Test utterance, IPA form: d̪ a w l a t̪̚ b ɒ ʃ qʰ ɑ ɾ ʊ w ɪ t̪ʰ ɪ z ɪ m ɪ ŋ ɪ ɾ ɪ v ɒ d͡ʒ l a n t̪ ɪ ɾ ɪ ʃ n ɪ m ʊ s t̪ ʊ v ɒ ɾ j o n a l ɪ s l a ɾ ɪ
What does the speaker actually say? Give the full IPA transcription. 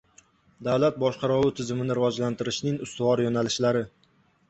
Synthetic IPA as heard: d̪ a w l a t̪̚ b ɒ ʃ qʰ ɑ ɾ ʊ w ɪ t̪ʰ ɪ z ɪ m ɪ n ɪ ɾ ɪ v ɒ d͡ʒ l a n t̪ ɪ ɾ ɪ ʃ n ɪ ŋ ʊ s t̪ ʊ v ɒ ɾ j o n a l ɪ ʃ l a ɾ ɪ